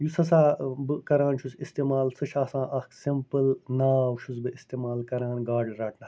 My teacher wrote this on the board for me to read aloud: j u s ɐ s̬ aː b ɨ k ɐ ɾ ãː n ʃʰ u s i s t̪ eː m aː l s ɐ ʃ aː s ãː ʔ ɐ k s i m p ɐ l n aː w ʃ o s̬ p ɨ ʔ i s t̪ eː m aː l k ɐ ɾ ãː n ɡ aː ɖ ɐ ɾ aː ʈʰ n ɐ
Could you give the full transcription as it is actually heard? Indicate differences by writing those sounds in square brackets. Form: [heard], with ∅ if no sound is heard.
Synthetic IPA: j u s ɐ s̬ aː b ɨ k ɐ ɾ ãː n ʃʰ u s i s t̪ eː m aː l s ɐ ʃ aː s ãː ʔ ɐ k s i m p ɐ l n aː w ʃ [u] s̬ [b] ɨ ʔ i s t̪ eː m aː l k ɐ ɾ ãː n ɡ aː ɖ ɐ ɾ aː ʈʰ n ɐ